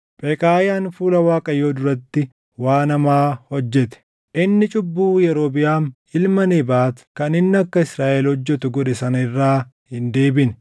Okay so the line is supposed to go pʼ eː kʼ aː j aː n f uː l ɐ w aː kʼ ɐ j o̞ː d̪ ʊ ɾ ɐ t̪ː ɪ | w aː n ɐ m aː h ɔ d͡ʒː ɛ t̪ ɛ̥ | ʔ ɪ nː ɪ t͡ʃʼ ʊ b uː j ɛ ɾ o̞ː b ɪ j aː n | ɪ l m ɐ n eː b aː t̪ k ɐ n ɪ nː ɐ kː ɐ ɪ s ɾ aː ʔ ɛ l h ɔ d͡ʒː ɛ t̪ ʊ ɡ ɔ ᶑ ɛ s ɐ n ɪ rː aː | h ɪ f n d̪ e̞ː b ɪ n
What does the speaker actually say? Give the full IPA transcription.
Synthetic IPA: pʼ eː kʼ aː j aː n f uː l ɐ w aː kʼ ɐ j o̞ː d̪ ʊ ɾ ɐ t̪ː ɪ | w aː n ɐ m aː h ɔ d͡ʒː ɛ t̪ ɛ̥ | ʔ ɪ nː ɪ t͡ʃʼ ʊ bː uː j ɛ ɾ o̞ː b ɪ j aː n | ɪ l m ɐ n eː b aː t̪ k ɐ n ɪ nː ɐ kː ɐ ɪ s ɾ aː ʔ ɛ l h ɔ d͡ʒː ɛ t̪ ʊ ɡ ɔ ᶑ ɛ s ɐ n ɪ rː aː | h ɪ n d̪ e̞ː b ɪ n

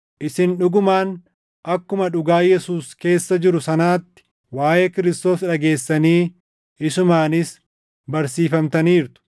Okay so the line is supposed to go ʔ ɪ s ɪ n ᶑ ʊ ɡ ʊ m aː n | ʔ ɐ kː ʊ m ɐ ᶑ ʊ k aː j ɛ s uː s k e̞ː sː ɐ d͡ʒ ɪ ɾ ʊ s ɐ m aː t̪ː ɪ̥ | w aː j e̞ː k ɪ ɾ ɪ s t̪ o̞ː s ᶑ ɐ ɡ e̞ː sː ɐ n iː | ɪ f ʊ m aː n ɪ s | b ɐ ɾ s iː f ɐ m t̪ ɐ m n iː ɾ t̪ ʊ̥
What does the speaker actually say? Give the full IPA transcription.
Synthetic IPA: ʔ ɪ s ɪ n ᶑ ʊ ɡ ʊ m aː n | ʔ ɐ kː ʊ m ɐ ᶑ ʊ ɡ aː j ɛ s uː s k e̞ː sː ɐ d͡ʒ ɪ ɾ ʊ s ɐ n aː t̪ː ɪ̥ | w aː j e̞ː k ɪ ɾ ɪ s t̪ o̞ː s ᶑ ɐ ɡ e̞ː sː ɐ n iː | ɪ s ʊ m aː n ɪ s | b ɐ ɾ s iː f ɐ m t̪ ɐ n iː ɾ t̪ ʊ̥

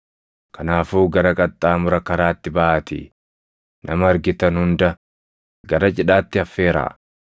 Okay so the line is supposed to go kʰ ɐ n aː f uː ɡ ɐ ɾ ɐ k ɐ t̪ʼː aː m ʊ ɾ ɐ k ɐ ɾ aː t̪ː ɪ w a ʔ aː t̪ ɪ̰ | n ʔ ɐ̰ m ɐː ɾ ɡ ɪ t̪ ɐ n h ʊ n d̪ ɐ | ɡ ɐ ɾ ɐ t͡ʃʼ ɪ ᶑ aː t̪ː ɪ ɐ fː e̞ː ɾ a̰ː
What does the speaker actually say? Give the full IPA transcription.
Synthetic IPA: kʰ ɐ n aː f uː ɡ ɐ ɾ ɐ kʼ ɐ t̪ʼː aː m ʊ ɾ ɐ k ɐ ɾ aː t̪ː ɪ b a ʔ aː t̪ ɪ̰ | n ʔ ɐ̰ m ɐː ɾ ɡ ɪ t̪ ɐ n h ʊ n d̪ ɐ | ɡ ɐ ɾ ɐ t͡ʃʼ ɪ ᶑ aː t̪ː ɪ ɐ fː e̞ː ɾ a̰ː

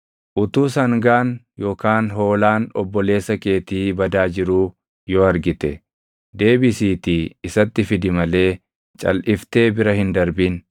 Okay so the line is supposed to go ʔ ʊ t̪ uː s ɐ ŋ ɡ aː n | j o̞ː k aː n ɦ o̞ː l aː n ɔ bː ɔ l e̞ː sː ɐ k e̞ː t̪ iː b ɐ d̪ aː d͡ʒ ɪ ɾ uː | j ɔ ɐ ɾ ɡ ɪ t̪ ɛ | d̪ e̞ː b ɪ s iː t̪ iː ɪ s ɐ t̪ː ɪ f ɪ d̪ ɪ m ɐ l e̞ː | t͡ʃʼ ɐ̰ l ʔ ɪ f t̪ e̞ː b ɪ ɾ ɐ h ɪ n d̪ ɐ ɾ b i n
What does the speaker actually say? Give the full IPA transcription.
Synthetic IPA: ʔ ʊ t̪ uː s ɐ ŋ ɡ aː n | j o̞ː k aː n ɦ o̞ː l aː n ɔ bː ɔ l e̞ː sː ɐ k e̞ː t̪ iː b ɐ d̪ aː d͡ʒ ɪ ɾ uː | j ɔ ɐ ɾ ɡ ɪ t̪ ɛ | d̪ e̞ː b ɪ s iː t̪ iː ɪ s ɐ t̪ː ɪ f ɪ d̪ ɪ m ɐ l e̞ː | t͡ʃʼ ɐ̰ l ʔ ɪ f t̪ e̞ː b ɪ ɾ ɐ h ɪ n d̪ ɐ ɾ b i n

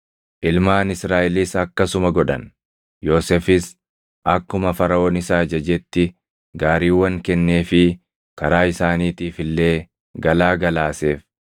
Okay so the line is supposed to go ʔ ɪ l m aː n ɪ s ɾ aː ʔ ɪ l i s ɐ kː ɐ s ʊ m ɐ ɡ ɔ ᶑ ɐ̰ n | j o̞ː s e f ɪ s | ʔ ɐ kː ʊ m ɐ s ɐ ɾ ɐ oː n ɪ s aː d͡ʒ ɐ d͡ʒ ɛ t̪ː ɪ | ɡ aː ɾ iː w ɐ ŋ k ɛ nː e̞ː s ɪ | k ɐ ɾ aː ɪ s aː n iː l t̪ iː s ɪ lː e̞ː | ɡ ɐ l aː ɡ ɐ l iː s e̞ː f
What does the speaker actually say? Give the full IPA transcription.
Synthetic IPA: ʔ ɪ l m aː n ɪ s ɾ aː ʔ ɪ l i s ɐ kː ɐ s ʊ m ɐ ɡ ɔ ᶑ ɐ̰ n | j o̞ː s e f ɪ s | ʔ ɐ kː ʊ m ɐ f ɐ ɾ ɐ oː n ɪ s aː d͡ʒ ɐ d͡ʒ ɛ t̪ː ɪ | ɡ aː ɾ iː w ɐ ŋ k ɛ nː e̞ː f ɪ | k ɐ ɾ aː ɪ s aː n iː t̪ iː f ɪ lː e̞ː | ɡ ɐ l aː ɡ ɐ l aː s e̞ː f

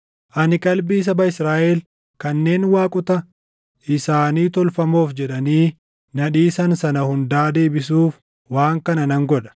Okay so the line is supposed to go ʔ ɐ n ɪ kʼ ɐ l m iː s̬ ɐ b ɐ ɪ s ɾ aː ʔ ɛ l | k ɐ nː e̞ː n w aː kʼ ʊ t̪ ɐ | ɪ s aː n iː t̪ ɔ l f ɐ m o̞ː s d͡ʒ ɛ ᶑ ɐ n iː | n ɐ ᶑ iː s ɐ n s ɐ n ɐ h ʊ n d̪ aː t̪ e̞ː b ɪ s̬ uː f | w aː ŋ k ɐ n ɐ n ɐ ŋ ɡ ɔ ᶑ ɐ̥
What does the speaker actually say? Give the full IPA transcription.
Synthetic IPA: ʔ ɐ n ɪ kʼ ɐ l b iː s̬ ɐ b ɐ ɪ s ɾ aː ʔ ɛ l | k ɐ nː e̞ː n w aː kʼ ʊ t̪ ɐ | ɪ s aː n iː t̪ ɔ l f ɐ m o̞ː f d͡ʒ ɛ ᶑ ɐ n iː | n ɐ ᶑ iː s ɐ n s ɐ n ɐ h ʊ n d̪ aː d̪ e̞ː b ɪ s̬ uː f | w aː ŋ k ɐ n ɐ n ɐ ŋ ɡ ɔ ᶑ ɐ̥

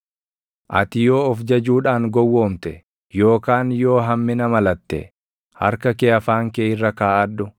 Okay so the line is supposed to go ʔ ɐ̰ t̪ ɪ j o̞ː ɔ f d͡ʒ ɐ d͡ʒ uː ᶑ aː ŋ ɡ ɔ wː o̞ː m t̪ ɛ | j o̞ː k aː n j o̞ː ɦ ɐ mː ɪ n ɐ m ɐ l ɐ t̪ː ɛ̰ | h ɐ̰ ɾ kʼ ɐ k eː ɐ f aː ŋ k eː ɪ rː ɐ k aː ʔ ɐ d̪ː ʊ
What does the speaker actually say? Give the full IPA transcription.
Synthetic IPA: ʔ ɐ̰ t̪ ɪ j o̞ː ɔ f d͡ʒ ɐ d͡ʒ uː ᶑ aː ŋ ɡ ɔ wː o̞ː m t̪ ɛ | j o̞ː k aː n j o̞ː ɦ ɐ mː ɪ n ɐ m ɐ l ɐ t̪ː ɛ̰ | h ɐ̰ ɾ k ɐ k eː ɐ f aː ŋ k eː ɪ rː ɐ k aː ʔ ɐ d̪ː ʊ

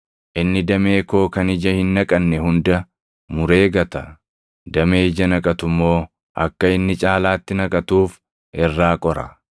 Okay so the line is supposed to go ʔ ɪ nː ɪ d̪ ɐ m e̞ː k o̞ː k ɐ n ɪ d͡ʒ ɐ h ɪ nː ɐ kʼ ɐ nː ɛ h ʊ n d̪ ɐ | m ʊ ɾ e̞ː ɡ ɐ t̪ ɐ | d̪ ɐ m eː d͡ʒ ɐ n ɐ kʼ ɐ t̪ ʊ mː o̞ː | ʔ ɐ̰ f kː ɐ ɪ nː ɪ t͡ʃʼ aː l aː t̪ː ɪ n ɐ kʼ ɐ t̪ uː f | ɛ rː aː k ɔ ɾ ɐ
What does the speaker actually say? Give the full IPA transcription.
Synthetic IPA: ʔ ɪ nː ɪ d̪ ɐ m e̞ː k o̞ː k ɐ n ɪ d͡ʒ ɐ h ɪ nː ɐ kʼ ɐ nː ɛ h ʊ n d̪ ɐ | m ʊ ɾ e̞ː ɡ ɐ t̪ ɐ | d̪ ɐ m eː d͡ʒ ɐ n ɐ kʼ ɐ t̪ ʊ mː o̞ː | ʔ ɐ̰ kː ɐ ɪ nː ɪ t͡ʃʼ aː l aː t̪ː ɪ n ɐ kʼ ɐ t̪ uː f | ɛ rː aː kʼ ɔ ɾ ɐ

